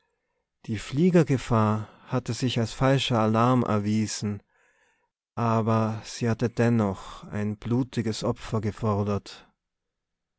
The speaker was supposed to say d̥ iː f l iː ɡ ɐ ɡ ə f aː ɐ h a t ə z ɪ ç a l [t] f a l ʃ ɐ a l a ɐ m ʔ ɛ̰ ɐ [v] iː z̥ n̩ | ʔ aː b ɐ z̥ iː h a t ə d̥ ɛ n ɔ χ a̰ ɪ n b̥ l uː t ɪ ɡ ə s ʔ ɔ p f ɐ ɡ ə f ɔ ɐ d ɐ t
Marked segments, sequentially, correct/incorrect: incorrect, correct

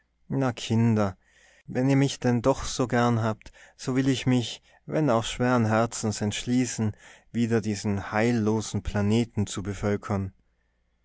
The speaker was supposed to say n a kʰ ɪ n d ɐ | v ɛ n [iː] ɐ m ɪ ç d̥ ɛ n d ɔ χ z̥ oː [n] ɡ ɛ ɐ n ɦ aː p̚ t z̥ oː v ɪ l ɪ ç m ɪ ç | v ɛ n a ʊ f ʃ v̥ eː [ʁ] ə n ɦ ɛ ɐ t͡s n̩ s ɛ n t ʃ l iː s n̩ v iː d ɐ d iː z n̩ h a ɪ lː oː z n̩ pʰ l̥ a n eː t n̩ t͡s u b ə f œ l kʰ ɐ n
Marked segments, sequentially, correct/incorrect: correct, incorrect, correct

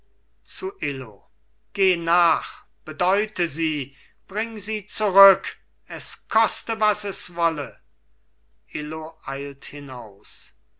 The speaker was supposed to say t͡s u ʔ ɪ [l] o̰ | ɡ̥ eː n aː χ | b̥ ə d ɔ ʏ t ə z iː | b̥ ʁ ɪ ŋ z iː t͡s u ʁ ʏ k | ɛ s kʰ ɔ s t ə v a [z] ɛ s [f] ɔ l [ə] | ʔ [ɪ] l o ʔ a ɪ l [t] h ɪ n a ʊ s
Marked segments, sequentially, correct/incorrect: correct, incorrect, incorrect, correct, correct, correct

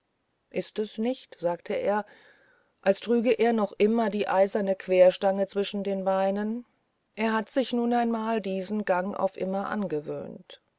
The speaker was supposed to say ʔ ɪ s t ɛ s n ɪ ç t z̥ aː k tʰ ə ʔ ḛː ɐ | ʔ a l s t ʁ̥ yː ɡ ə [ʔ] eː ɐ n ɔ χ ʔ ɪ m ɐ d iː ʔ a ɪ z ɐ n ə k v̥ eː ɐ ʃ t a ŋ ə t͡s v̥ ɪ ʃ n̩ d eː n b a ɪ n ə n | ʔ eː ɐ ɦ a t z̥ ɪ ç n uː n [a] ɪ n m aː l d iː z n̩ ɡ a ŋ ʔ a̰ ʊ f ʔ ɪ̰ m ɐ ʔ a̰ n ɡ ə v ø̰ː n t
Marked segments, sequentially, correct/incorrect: correct, correct

